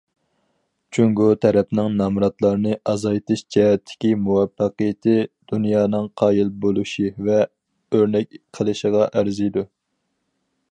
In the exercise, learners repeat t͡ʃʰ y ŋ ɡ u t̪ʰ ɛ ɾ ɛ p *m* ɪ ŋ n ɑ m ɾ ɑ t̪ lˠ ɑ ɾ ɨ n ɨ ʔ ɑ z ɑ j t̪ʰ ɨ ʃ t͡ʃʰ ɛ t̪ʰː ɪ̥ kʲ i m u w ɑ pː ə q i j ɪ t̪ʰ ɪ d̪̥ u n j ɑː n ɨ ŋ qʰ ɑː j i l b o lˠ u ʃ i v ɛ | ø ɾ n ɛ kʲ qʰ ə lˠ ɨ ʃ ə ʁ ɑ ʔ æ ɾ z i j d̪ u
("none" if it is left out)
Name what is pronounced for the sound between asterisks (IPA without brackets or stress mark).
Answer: n